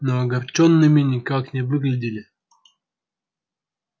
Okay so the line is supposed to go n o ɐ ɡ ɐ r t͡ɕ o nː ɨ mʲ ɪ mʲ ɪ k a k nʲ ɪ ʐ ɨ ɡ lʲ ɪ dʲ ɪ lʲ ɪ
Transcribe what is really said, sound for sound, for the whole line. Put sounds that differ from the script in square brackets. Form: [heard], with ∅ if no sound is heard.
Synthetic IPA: n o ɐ ɡ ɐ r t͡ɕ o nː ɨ mʲ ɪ [nʲ] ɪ k a k nʲ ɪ [v] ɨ ɡ lʲ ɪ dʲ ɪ lʲ ɪ

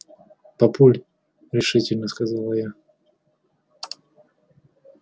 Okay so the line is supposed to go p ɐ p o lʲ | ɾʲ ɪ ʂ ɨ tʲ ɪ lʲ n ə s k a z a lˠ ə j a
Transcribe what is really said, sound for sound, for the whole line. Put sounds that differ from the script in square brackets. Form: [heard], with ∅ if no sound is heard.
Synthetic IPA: p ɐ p [u] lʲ | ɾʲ ɪ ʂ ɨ tʲ ɪ lʲ n ə s k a z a lˠ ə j a

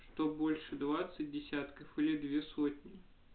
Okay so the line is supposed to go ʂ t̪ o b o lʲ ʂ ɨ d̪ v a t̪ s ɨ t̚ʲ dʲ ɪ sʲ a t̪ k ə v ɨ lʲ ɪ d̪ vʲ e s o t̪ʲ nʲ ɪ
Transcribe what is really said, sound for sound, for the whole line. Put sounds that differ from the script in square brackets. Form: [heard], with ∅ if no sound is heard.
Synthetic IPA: ʂ t̪ o b o lʲ ʂ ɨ d̪ v a t̪ s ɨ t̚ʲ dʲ ɪ sʲ a t̪ k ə [f] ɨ lʲ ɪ d̪ vʲ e s o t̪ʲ nʲ ɪ

